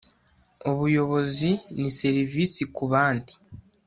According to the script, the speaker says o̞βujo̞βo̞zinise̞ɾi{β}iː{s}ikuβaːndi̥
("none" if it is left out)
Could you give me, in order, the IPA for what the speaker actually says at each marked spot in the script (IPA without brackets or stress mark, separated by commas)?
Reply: v, s